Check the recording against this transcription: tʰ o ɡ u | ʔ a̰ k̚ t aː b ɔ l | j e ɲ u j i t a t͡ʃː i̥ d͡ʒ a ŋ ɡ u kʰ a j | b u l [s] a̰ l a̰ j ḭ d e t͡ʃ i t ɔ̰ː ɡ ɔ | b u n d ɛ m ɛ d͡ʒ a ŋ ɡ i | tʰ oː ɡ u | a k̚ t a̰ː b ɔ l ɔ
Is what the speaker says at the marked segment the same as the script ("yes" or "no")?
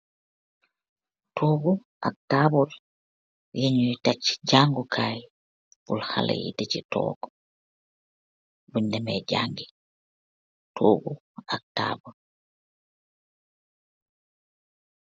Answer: no